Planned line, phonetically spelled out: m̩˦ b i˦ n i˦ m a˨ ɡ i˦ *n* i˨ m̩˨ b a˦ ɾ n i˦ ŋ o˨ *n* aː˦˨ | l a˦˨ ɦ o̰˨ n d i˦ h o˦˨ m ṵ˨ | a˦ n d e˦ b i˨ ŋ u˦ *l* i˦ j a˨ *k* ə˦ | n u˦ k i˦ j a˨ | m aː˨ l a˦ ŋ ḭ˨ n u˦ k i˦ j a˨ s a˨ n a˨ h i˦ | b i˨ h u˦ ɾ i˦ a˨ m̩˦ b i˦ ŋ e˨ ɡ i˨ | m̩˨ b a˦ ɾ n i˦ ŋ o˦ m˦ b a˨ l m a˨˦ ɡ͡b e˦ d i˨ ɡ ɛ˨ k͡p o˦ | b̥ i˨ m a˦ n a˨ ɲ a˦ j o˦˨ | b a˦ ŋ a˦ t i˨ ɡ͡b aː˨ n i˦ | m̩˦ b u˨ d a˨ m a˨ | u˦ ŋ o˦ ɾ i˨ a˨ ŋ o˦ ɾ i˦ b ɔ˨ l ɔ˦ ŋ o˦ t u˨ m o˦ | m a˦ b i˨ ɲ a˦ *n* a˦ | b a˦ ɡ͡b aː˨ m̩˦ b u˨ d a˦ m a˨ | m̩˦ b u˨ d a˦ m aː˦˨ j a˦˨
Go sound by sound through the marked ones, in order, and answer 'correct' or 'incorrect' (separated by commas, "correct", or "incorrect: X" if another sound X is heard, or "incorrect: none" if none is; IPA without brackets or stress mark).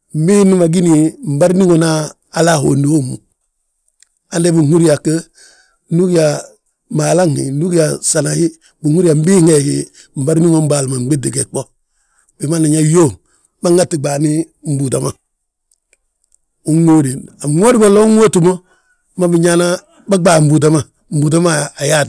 correct, correct, incorrect: ɾ, correct, correct